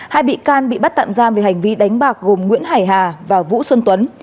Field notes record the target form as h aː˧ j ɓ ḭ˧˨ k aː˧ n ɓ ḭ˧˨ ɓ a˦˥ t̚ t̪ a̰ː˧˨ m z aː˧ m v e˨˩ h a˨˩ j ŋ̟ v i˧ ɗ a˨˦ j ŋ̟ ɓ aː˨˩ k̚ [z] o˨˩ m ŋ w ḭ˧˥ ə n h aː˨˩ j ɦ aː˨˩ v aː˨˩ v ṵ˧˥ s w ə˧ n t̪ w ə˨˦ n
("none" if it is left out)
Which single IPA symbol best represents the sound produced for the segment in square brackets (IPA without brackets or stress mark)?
ɣ